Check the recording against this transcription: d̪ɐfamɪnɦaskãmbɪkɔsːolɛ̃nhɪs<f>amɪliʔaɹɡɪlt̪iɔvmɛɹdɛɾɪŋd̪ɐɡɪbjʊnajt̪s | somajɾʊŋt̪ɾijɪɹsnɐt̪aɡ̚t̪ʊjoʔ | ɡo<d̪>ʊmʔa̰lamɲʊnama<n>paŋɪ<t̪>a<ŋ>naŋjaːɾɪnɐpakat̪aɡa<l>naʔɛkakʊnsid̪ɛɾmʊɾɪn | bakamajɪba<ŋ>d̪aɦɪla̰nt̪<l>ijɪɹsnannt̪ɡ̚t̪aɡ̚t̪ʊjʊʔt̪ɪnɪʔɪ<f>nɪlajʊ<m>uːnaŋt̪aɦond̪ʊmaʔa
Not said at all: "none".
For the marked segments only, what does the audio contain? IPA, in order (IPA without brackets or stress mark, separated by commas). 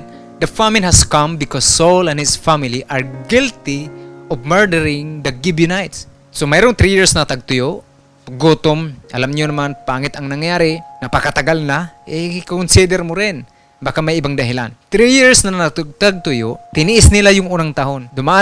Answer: f, t̪, n, t̪, ŋ, l, ŋ, ɾ, s, ŋ